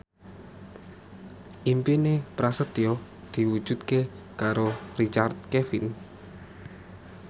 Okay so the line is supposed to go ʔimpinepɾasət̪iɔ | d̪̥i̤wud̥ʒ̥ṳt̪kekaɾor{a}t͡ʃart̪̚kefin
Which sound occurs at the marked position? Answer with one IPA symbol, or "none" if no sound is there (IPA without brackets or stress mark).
i